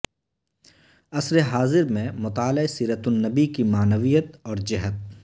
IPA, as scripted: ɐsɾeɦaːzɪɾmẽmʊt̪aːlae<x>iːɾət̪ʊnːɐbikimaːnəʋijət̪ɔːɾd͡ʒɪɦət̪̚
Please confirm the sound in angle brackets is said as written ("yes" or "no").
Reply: no